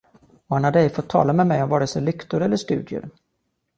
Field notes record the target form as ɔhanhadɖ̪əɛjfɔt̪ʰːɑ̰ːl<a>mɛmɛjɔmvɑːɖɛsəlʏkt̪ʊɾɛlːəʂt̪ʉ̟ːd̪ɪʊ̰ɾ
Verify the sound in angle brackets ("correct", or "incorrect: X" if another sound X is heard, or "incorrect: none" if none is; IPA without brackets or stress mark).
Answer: correct